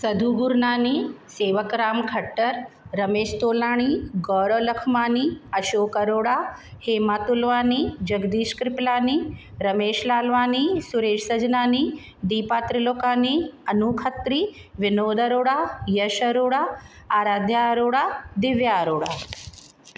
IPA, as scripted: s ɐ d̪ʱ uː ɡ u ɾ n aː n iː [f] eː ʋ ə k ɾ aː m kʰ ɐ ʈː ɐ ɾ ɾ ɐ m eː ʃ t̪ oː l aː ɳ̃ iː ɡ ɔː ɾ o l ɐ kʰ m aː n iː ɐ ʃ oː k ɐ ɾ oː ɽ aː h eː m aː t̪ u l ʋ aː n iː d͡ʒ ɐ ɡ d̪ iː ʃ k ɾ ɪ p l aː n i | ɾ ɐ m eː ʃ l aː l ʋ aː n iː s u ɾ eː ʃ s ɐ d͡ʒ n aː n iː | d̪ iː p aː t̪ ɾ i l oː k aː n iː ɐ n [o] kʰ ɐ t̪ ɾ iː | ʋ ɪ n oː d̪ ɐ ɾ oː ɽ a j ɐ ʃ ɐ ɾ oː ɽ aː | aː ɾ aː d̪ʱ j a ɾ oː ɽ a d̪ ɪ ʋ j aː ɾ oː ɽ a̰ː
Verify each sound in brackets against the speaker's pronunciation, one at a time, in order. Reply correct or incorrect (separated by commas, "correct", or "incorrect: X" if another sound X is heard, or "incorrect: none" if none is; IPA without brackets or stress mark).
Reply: incorrect: s, incorrect: u